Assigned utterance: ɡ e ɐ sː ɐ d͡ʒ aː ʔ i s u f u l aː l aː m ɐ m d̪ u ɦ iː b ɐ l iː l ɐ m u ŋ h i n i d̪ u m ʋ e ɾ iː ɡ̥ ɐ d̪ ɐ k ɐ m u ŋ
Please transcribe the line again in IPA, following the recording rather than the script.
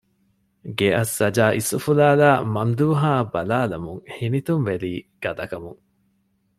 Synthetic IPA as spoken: ɡ e ɐ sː ɐ d͡ʒ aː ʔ i s u f u l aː l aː m ɐ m d̪ uː ɦ aː b ɐ l aː l ɐ m u ŋ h i n i t̪ u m ʋ e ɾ iː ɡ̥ ɐ d̪ ɐ k ɐ m u ŋ